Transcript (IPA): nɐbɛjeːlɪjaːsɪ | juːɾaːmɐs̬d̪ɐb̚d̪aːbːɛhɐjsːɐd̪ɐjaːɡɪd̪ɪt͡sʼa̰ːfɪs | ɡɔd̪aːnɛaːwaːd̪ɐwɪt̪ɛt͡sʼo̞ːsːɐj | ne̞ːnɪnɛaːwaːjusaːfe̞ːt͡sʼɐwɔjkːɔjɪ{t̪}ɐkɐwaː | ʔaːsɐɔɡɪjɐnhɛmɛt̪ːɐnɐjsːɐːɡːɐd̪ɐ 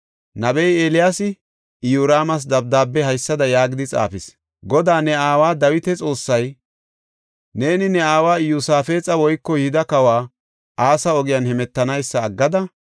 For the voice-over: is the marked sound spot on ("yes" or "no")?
no